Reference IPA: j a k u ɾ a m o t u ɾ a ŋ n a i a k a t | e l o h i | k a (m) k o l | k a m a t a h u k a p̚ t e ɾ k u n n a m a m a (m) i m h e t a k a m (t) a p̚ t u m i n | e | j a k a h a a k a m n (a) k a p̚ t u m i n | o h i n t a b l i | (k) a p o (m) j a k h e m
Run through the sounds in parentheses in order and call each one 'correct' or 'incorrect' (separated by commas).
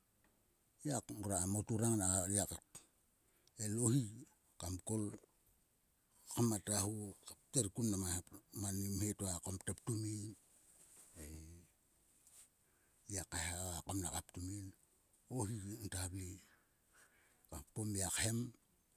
correct, incorrect, correct, correct, correct, correct